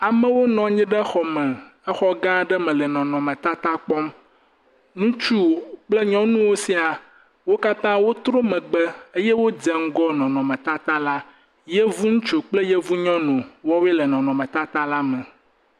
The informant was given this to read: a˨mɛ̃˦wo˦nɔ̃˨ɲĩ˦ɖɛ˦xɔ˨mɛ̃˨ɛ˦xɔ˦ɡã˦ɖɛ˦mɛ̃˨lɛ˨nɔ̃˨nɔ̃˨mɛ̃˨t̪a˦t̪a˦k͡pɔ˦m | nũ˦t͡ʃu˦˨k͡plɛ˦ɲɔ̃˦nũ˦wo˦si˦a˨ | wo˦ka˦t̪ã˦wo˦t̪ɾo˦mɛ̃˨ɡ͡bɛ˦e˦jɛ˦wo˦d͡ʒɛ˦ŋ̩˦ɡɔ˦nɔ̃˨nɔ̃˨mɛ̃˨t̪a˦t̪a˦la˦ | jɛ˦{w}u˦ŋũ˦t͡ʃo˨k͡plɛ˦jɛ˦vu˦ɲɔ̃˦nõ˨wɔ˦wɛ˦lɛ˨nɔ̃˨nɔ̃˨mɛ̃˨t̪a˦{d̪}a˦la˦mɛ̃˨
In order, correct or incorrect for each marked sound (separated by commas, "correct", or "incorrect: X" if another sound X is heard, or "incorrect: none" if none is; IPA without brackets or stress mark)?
incorrect: v, incorrect: t̪